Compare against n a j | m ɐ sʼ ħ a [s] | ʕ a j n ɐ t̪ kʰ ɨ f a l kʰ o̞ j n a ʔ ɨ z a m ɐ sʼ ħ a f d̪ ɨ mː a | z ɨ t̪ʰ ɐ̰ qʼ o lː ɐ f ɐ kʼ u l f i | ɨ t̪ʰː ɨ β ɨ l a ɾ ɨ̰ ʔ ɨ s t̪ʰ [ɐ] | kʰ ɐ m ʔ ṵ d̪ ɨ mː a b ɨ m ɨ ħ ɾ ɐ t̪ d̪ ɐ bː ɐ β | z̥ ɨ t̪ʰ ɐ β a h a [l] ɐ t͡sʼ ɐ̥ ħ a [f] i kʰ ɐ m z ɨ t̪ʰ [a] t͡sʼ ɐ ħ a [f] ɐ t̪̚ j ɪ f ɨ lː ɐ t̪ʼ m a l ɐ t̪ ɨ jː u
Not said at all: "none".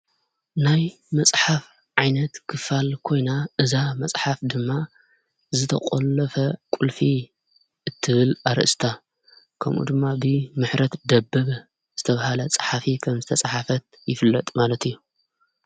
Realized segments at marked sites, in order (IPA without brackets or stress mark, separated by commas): f, a, l, f, ɐ, f